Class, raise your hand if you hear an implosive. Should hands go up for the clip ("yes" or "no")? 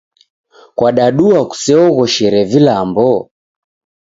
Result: yes